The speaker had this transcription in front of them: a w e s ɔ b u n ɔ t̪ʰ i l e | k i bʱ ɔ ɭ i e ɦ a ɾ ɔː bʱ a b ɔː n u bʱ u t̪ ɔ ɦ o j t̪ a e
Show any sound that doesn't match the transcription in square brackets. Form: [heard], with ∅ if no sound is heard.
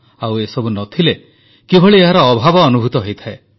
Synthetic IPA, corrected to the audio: a w e s ɔ b u n ɔ t̪ʰ i l e | k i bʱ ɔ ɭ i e ɦ a ɾ ɔː bʱ a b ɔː n u bʱ u t̪ ɔ ɦ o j [t̪ʰ] a e